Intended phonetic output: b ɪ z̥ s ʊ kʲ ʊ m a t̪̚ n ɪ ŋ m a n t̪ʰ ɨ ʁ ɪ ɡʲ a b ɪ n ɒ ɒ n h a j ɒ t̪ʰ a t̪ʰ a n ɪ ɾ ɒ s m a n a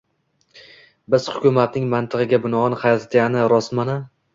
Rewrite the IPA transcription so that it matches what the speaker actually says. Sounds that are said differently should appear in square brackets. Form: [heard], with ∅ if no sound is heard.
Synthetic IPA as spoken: b ɪ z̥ [h] ʊ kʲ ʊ m a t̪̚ n ɪ ŋ m a n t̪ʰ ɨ ʁ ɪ ɡʲ a b ɪ n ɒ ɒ n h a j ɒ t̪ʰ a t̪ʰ a n ɪ ɾ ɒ s m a n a